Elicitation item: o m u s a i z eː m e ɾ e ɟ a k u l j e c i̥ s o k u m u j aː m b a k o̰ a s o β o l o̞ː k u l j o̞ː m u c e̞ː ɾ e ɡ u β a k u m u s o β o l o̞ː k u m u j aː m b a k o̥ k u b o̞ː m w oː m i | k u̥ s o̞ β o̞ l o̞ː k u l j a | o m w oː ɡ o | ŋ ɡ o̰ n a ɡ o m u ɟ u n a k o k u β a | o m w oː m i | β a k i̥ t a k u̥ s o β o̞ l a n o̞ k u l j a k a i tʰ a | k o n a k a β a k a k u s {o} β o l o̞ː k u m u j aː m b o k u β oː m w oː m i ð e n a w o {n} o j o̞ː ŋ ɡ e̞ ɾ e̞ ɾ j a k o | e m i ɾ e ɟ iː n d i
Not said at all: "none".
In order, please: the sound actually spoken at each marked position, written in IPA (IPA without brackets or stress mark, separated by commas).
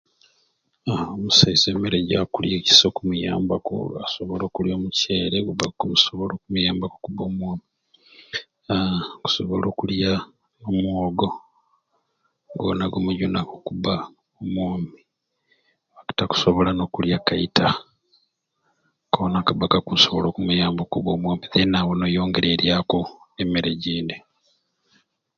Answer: o, n